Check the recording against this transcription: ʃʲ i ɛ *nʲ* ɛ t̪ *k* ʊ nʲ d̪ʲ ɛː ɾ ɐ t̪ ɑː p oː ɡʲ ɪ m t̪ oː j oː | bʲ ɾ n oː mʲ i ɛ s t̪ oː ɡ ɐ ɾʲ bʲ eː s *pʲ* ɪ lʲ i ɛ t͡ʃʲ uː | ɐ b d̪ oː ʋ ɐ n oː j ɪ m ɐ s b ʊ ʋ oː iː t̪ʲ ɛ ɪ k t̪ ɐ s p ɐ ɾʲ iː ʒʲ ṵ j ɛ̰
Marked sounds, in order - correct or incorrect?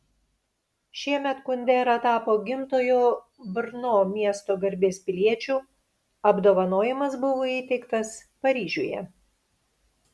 incorrect: mʲ, correct, correct

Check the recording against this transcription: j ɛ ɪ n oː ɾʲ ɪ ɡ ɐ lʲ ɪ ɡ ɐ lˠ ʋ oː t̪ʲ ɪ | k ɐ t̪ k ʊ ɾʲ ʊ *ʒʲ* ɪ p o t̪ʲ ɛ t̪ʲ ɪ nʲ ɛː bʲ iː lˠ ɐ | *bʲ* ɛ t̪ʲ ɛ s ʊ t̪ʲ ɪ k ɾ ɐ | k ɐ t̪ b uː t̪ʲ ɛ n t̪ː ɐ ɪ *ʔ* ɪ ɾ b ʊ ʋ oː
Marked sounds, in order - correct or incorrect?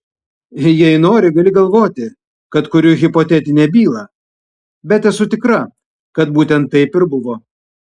incorrect: ɣʲ, correct, incorrect: p

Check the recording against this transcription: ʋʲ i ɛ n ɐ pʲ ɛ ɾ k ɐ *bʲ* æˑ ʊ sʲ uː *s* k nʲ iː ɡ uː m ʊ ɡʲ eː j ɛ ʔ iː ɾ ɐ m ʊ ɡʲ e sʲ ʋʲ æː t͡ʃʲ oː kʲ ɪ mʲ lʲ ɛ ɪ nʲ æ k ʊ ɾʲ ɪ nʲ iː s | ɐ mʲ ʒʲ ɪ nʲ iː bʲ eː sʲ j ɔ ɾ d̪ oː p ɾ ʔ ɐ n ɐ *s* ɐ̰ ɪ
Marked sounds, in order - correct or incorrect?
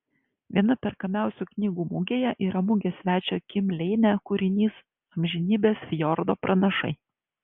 incorrect: mʲ, incorrect: none, incorrect: ʃ

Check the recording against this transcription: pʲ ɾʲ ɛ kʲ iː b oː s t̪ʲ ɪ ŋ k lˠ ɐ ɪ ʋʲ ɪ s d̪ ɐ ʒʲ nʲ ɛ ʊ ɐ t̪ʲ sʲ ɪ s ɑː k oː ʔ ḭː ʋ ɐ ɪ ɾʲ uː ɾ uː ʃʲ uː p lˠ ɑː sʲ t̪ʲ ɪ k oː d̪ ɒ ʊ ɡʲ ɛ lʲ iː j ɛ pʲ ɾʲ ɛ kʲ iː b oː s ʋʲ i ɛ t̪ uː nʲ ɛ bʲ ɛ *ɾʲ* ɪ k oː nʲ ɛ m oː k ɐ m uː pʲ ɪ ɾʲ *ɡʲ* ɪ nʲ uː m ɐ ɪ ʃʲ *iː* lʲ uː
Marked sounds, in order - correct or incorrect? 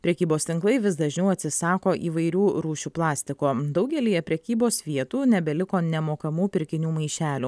incorrect: lʲ, incorrect: kʲ, incorrect: æː

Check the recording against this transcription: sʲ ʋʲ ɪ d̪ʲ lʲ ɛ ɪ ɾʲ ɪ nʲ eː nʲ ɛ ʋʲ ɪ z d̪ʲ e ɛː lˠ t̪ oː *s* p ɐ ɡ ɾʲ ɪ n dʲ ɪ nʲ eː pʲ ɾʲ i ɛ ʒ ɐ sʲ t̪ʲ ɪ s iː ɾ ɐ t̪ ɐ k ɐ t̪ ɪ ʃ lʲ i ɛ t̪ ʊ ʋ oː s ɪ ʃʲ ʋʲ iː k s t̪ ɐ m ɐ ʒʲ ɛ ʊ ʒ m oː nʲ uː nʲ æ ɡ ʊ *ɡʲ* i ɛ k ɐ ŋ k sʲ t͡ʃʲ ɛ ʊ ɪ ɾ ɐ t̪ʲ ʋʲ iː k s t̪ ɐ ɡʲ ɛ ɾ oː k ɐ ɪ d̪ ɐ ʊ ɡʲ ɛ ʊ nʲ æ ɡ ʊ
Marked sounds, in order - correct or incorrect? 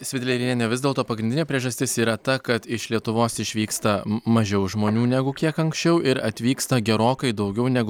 incorrect: none, incorrect: kʲ

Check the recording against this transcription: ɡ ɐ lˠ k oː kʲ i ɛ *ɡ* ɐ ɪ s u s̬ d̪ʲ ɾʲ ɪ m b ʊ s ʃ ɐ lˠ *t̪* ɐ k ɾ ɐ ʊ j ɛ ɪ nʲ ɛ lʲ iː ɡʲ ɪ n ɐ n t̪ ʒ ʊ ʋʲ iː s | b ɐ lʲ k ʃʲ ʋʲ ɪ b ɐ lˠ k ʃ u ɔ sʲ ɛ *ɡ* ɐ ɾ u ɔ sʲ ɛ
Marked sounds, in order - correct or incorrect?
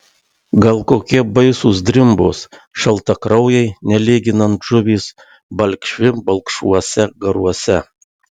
incorrect: b, correct, correct

